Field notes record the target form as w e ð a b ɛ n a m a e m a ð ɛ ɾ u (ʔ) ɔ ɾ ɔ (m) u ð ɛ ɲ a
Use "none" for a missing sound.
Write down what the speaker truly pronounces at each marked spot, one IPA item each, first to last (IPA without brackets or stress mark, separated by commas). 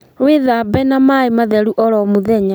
ʔ, m